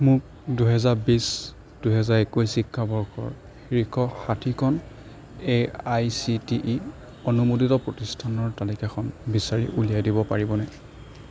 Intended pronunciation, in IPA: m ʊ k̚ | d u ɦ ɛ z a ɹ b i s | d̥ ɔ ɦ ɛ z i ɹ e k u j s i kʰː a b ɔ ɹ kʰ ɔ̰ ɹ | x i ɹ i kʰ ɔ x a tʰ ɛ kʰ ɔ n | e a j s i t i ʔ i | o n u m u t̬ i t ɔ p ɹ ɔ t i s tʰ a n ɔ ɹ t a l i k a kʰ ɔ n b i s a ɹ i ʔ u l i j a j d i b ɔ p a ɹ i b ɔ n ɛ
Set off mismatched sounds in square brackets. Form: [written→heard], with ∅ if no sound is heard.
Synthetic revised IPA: m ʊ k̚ | d u ɦ ɛ z a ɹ b i s | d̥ [ɔ→u] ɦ ɛ z [i→a] ɹ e k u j s i kʰː a b ɔ ɹ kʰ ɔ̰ ɹ | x i ɹ i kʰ ɔ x a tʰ [ɛ→i] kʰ ɔ n | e a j s i t i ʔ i | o n u m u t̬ i t ɔ p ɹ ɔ t i s tʰ a n ɔ ɹ t a l i k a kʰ ɔ n b i s a ɹ i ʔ u l i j a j d i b ɔ p a ɹ i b ɔ n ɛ